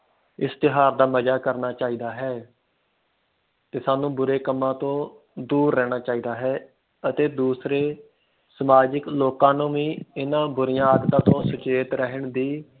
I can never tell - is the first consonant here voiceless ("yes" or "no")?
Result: yes